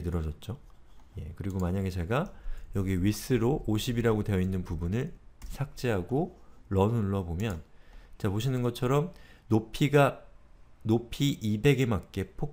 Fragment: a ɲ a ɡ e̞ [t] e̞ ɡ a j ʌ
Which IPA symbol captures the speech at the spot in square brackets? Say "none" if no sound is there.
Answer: t͡ɕ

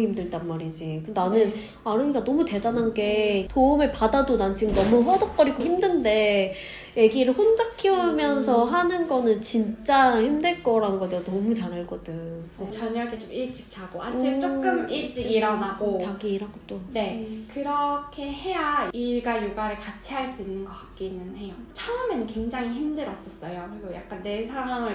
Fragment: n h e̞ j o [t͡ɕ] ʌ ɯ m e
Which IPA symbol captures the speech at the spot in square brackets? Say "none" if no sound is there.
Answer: t͡ɕʰ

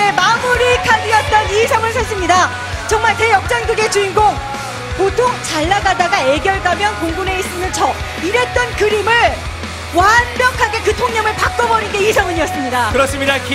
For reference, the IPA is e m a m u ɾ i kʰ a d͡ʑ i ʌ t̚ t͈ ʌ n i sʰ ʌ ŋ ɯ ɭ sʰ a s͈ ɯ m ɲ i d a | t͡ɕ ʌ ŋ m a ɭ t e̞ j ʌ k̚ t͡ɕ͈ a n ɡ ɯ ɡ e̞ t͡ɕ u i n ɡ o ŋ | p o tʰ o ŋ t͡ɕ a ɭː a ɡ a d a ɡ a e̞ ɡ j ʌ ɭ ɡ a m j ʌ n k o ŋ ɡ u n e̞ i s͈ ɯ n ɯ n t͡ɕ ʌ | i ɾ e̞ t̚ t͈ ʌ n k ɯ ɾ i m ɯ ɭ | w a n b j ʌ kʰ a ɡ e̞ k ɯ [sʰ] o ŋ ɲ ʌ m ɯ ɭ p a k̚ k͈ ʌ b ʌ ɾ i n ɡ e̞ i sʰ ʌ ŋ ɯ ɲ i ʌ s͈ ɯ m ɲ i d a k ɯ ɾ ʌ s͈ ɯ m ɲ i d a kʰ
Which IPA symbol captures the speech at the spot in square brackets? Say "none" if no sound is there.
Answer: tʰ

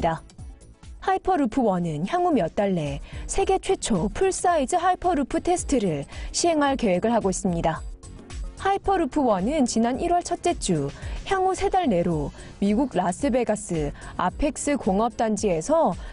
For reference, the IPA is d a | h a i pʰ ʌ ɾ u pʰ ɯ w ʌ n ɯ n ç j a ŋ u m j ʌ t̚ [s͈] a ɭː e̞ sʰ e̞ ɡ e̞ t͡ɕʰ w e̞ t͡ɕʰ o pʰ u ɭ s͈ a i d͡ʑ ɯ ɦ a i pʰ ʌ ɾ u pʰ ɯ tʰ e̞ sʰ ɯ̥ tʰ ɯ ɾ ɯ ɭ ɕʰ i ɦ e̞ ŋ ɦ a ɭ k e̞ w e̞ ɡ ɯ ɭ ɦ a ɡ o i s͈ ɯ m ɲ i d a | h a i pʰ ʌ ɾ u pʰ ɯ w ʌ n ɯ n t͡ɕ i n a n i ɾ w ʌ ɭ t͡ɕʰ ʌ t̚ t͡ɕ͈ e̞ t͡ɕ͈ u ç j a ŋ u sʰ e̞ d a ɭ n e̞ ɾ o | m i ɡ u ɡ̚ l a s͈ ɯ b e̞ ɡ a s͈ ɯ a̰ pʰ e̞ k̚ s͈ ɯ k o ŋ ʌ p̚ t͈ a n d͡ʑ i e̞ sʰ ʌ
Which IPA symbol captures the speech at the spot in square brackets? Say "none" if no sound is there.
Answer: t͈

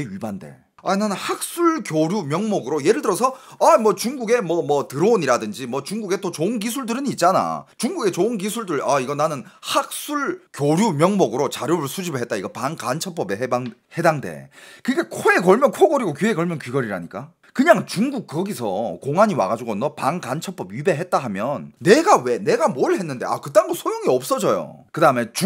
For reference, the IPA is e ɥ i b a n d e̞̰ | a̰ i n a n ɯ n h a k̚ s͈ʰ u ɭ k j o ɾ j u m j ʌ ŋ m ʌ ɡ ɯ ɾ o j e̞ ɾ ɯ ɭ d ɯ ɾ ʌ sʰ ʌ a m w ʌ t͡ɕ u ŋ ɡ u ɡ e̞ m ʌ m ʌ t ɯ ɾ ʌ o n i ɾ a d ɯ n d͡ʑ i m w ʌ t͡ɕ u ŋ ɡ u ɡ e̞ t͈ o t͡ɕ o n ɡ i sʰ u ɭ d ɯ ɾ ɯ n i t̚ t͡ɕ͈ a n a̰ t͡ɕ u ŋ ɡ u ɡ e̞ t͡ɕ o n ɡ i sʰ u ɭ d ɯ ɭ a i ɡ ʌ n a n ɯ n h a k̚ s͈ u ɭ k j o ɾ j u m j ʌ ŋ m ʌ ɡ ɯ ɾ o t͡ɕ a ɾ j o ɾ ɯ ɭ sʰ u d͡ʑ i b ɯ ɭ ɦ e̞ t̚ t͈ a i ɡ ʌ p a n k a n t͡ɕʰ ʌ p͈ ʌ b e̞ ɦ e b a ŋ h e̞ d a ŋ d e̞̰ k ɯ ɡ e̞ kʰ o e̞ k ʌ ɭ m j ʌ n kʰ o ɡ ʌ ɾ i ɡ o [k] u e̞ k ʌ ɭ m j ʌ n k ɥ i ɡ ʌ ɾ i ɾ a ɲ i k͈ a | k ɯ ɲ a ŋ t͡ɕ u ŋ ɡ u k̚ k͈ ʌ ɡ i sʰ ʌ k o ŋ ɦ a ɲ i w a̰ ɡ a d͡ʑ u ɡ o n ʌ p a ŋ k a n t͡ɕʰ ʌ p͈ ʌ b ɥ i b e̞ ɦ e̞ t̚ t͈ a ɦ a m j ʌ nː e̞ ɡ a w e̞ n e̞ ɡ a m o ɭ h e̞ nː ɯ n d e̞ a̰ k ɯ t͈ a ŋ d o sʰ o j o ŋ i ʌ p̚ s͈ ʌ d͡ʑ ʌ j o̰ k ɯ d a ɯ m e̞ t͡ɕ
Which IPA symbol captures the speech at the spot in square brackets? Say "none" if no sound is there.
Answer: k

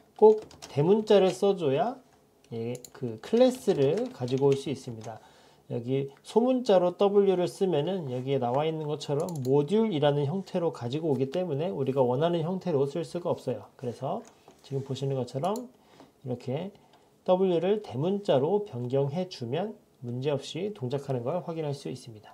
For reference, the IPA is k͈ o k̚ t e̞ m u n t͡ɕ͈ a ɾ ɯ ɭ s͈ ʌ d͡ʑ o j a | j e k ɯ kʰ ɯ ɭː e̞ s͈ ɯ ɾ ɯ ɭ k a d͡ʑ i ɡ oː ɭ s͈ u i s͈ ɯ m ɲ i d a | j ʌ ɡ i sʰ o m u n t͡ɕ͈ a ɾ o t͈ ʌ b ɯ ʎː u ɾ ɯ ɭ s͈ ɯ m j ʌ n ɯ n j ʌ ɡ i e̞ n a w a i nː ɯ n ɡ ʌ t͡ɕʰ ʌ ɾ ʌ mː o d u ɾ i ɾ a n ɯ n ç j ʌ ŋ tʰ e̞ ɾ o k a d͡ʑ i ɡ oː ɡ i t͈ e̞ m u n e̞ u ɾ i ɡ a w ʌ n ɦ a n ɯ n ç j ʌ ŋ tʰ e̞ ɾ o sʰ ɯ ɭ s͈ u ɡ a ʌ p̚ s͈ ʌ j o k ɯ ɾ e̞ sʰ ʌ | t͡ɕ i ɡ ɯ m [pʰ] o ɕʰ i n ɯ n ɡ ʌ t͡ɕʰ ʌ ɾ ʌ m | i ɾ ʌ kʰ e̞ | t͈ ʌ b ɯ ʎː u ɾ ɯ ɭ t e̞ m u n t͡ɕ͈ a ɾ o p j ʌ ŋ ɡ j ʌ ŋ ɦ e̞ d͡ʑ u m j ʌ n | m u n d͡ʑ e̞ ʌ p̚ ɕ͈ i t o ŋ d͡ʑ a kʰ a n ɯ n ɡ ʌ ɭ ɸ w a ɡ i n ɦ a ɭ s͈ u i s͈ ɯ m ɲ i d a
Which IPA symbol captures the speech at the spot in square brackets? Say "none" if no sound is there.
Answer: p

